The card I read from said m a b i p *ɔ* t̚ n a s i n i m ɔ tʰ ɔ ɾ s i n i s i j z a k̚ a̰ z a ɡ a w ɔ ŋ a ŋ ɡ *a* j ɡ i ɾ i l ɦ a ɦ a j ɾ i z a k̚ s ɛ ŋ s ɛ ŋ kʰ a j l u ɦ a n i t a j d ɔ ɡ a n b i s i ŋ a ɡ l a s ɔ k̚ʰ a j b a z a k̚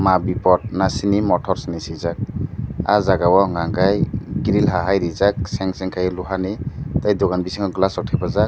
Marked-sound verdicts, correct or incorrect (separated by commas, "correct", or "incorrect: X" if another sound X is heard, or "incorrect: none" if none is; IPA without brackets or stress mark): correct, correct